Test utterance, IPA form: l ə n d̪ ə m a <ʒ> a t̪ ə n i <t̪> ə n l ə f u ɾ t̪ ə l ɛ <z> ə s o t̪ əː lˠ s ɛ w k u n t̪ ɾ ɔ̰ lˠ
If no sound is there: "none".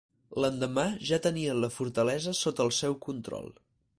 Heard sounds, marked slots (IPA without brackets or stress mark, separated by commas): ʒ, none, z